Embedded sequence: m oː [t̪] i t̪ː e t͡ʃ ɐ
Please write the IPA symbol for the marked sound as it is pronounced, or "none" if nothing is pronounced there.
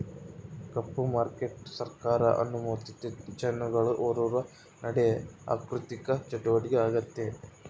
t̪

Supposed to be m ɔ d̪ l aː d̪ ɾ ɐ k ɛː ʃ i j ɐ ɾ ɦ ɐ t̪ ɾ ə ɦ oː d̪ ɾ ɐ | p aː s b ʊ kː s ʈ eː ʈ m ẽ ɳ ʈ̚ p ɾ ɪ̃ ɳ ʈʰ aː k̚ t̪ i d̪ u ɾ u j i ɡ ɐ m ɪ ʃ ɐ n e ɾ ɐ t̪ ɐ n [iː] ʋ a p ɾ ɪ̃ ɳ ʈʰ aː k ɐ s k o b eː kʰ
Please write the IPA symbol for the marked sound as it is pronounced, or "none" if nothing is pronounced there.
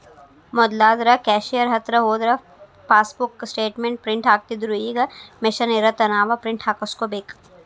aː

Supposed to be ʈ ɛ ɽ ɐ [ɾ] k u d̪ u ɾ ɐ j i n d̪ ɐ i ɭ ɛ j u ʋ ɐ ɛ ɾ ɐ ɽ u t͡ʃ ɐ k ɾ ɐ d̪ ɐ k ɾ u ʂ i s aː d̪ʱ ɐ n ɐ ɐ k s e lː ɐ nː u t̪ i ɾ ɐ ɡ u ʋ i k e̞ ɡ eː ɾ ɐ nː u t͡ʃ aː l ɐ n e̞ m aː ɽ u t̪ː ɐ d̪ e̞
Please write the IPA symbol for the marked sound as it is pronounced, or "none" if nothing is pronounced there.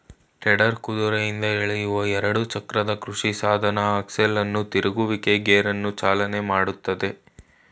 ɾ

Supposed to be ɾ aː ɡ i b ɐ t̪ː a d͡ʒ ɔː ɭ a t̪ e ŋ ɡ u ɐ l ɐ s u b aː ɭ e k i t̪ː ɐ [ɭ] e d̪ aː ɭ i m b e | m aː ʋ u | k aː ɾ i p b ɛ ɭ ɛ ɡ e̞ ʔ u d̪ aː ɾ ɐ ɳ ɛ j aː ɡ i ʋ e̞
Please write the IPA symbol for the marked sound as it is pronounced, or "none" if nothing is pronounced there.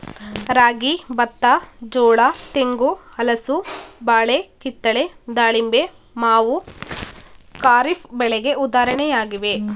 ɭ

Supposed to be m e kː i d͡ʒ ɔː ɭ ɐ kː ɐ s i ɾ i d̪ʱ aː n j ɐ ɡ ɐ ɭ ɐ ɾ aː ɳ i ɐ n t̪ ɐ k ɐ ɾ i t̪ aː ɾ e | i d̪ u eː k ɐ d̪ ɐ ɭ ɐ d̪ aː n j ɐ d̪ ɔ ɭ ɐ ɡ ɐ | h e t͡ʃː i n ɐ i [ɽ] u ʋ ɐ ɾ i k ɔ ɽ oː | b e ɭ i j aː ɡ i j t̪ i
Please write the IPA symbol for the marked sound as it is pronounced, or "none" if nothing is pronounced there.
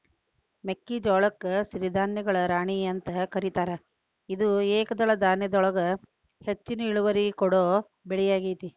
ɭ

